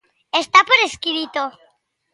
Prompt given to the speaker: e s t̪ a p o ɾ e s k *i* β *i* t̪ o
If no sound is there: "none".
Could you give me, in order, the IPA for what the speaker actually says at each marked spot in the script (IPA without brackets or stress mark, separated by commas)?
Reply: i, i